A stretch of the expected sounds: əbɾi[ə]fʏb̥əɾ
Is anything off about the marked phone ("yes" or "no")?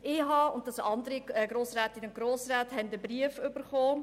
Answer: no